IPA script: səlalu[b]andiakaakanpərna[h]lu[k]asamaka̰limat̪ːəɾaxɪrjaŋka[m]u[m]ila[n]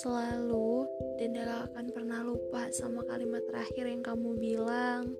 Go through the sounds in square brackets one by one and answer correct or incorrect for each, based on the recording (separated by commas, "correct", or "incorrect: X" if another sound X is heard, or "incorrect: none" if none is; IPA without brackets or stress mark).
incorrect: d, correct, incorrect: p, correct, incorrect: b, incorrect: ŋ